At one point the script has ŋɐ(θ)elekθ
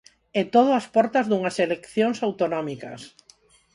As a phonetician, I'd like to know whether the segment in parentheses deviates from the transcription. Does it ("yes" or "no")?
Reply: yes